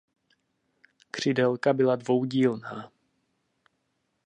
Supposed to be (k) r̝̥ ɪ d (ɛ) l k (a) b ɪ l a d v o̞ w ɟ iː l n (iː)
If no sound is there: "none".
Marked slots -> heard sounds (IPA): k, ɛ, a, aː

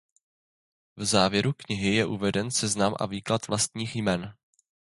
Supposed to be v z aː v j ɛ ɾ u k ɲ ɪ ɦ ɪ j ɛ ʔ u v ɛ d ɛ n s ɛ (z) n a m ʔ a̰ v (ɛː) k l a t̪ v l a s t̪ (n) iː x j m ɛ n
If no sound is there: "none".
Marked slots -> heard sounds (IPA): z, iː, ɲ

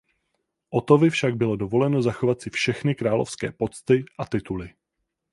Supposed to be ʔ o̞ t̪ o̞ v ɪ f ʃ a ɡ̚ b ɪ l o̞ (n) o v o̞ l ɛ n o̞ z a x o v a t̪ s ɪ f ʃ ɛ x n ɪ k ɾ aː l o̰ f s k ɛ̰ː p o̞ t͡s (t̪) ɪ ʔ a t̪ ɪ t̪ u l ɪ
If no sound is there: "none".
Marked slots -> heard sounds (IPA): d, t̪

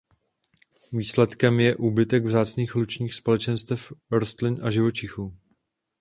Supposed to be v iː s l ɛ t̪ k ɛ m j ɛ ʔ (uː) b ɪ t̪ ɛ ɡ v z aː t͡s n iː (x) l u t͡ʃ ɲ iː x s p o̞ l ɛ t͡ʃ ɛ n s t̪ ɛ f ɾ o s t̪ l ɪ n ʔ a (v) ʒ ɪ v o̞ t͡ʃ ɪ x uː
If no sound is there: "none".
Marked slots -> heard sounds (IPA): uː, x, none

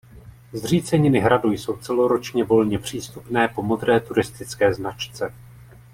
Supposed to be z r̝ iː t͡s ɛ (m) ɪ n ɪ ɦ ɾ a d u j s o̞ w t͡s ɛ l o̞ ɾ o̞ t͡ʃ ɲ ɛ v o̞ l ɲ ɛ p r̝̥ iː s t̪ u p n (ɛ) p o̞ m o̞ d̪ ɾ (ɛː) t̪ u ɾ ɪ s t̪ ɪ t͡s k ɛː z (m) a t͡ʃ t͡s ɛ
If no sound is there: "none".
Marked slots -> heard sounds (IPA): ɲ, ɛː, ɛː, n

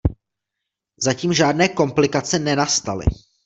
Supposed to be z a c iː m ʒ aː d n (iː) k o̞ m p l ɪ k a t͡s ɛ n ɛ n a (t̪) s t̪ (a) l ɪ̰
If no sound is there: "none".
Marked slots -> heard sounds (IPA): ɛː, none, a

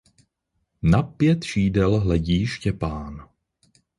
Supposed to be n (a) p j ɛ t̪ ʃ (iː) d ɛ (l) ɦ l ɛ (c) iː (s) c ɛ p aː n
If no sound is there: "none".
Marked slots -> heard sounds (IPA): a, iː, l, ɟ, ʃ

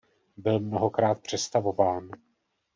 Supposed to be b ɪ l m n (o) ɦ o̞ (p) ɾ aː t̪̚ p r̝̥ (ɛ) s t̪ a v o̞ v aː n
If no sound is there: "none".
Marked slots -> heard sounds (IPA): o, k, ɛ

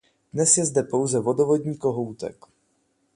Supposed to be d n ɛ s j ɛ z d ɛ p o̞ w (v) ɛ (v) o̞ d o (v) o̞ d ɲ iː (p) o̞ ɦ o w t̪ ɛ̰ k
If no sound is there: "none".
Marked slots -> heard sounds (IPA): z, v, v, k

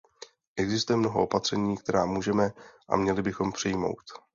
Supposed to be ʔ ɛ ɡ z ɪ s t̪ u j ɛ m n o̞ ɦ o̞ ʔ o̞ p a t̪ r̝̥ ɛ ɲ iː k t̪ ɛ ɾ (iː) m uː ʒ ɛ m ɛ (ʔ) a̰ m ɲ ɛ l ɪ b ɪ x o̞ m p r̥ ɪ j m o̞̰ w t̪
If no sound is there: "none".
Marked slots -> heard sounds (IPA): aː, ʔ

